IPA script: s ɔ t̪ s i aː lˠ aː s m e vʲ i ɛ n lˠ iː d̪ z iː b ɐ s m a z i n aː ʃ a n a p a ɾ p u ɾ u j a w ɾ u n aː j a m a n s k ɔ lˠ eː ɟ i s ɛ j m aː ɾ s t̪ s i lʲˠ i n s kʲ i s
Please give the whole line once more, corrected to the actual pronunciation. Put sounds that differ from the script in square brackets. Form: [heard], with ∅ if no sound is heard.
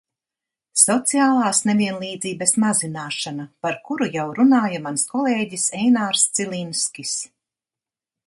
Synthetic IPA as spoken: s ɔ t̪ s i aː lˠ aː s [n] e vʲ i ɛ n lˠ iː d̪ z iː b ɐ s m a z i n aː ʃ a n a p a ɾ [k] u ɾ u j a w ɾ u n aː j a m a n s k ɔ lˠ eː ɟ i s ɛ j [n] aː ɾ s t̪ s i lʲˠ i n s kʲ i s